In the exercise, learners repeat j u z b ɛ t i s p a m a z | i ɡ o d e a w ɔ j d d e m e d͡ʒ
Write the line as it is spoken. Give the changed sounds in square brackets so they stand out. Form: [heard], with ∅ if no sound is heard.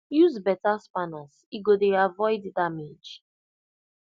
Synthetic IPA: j u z b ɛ t [a] s p a [n] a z | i ɡ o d e a [v] ɔ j d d [a] m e d͡ʒ

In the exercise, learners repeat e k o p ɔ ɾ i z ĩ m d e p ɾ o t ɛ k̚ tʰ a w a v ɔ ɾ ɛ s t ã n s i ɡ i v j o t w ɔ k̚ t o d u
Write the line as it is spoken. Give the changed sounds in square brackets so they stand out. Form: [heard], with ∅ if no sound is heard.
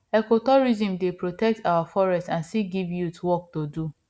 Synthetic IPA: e k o [t] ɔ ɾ i z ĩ m d e p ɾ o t ɛ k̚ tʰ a w a [f] ɔ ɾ ɛ s t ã n s i ɡ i v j [u] t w ɔ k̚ t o d u

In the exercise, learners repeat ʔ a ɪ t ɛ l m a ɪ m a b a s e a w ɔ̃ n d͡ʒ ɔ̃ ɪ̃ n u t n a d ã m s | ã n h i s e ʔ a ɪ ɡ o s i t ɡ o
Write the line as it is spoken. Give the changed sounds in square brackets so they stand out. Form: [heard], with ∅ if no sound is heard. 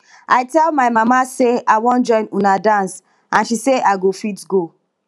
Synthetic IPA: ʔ a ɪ t ɛ l m a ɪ m a [m] a s e a w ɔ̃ n d͡ʒ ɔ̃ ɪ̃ n u [∅] n a d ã [n] s | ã n [ʃ] i s e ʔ a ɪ ɡ o [f] i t ɡ o

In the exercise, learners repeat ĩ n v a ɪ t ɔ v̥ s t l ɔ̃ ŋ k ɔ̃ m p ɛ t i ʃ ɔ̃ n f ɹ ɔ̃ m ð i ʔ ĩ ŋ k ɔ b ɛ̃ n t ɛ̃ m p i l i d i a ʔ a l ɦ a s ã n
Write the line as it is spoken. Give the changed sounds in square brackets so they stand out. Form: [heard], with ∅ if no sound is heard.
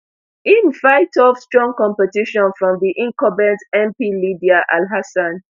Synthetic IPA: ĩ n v a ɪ t ɔ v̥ s t [ɹ] ɔ̃ ŋ k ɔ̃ m p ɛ t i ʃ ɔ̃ n f ɹ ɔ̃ m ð i ʔ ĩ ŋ k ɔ b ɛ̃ n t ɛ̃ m p i l i d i a ʔ a l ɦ a s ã n

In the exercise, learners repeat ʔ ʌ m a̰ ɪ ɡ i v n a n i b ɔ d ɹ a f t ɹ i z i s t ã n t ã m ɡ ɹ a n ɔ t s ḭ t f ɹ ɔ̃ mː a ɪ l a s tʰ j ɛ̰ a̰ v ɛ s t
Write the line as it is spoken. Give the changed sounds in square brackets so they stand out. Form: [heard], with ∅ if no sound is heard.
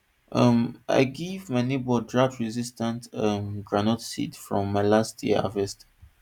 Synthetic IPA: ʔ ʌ m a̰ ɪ ɡ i v [m] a n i b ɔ d ɹ a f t ɹ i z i s t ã n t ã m ɡ ɹ a n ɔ t s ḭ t f ɹ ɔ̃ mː a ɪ l a s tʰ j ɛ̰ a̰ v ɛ s t

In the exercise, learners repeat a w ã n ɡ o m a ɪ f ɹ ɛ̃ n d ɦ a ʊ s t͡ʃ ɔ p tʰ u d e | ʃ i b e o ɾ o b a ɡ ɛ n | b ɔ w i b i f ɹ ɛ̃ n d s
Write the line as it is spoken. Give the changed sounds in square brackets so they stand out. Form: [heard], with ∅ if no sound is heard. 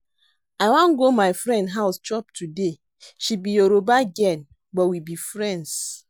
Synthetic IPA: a w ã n ɡ o m a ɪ f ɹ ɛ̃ n d ɦ a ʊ s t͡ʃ ɔ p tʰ u d e | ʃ i b [i] o ɾ o b a ɡ ɛ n | b ɔ w i b i f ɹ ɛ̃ n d s

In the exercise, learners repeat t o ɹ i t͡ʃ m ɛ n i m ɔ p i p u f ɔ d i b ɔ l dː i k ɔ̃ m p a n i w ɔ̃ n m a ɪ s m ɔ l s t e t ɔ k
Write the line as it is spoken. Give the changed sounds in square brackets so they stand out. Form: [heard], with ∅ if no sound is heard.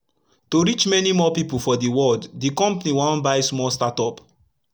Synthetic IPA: t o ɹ i t͡ʃ m ɛ n i m ɔ p i p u f ɔ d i [w] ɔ l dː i k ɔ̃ m p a n i w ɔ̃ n [b] a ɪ s m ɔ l s t [a] t ɔ [p]

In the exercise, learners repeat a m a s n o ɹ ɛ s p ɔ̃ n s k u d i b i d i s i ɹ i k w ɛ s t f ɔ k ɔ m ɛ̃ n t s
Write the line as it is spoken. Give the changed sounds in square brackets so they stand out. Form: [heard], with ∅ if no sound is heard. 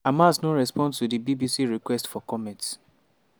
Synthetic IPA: a m a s n o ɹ ɛ s p ɔ̃ n s [t] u d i b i [b] i s i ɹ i k w ɛ s t f ɔ k ɔ m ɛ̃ n t s

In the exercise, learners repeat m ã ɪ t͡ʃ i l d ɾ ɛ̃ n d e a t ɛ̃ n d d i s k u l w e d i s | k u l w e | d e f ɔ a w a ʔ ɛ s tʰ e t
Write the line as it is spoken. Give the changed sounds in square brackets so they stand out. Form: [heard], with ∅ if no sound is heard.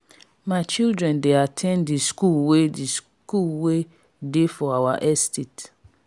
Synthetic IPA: m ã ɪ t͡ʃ i l d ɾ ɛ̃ n d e a [tʰ] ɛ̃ n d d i s k u l w e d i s | k u l w e | d e f ɔ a w a ʔ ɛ s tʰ e t

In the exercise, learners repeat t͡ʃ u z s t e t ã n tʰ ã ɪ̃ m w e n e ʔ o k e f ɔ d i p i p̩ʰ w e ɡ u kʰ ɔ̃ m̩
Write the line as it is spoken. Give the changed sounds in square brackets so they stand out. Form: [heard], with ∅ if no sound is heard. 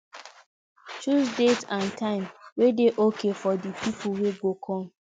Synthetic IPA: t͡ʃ u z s [d] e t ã n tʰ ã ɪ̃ m w e [d] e ʔ o k e f ɔ d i p i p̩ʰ w e ɡ [o] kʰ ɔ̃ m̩

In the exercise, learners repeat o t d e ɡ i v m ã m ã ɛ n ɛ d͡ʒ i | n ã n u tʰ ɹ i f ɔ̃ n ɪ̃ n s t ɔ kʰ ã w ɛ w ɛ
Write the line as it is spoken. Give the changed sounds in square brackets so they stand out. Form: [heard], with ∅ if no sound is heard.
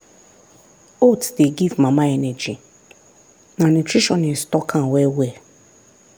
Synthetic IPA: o t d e ɡ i v m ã m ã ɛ n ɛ d͡ʒ i | n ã n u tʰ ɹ i [ʃ] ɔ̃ n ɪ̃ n s t ɔ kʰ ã w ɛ w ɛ

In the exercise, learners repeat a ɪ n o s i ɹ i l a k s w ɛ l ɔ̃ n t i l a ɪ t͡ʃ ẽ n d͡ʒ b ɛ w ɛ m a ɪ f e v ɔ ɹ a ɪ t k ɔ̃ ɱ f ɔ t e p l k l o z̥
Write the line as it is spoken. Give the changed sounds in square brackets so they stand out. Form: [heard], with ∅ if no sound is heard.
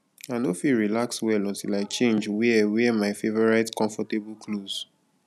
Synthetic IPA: a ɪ n o [f] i ɹ i l a k s w ɛ l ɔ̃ n t i l a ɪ t͡ʃ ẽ n d͡ʒ [w] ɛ w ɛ m a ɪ f e v ɔ ɹ a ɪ t k ɔ̃ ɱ f ɔ t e [b] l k l o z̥

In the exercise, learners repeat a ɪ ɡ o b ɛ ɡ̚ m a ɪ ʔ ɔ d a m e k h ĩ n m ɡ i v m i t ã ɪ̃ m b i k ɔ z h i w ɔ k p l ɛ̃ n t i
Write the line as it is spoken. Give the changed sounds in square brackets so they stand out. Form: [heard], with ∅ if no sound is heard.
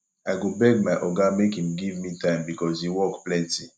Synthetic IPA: a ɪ ɡ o b ɛ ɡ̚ m a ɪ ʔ ɔ [ɡ] a m e k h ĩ [∅] m ɡ i v m i t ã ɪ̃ m b i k ɔ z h i w ɔ k p l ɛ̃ n t i

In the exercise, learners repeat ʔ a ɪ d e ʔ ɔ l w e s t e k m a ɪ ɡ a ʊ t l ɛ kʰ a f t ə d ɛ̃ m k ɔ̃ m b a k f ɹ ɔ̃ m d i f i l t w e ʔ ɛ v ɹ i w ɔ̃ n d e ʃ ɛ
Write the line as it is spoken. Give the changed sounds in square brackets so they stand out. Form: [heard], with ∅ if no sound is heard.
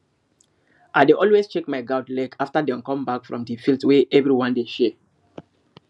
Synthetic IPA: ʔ a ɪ d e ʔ ɔ l w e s [t͡ʃ] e k m a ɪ ɡ a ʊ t l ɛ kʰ a f t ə d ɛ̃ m k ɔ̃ m b a k f ɹ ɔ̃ m d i f i l t w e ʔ ɛ v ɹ i w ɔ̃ n d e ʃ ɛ

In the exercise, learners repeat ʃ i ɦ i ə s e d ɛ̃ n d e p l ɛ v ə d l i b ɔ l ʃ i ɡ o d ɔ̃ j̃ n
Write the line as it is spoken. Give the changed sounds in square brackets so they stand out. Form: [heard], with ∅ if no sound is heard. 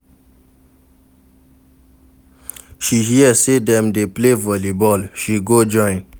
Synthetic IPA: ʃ i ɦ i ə s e d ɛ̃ [m] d e p l [e] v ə [∅] l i b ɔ l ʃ i ɡ o [d͡ʒ] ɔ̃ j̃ n

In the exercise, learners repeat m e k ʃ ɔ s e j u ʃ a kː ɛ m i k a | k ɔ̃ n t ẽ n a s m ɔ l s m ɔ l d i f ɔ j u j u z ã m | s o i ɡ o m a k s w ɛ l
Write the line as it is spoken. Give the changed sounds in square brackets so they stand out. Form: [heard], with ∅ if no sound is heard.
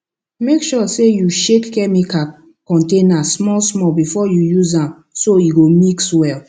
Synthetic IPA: m e k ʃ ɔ s e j u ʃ [e] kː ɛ m i k a | k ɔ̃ n t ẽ n a s m ɔ l s m ɔ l [b] i f ɔ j u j u z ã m | s o i ɡ o m [i] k s w ɛ l

